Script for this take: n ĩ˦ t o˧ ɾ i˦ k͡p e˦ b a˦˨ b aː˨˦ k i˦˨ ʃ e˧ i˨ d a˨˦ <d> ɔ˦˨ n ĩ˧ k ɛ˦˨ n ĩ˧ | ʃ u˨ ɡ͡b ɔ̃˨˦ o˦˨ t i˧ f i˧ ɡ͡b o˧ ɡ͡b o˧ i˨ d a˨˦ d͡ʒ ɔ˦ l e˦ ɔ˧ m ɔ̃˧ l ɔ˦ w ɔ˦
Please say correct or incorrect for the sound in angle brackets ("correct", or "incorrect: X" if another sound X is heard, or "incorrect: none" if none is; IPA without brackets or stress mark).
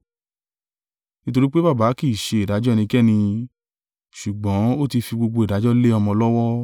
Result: incorrect: d͡ʒ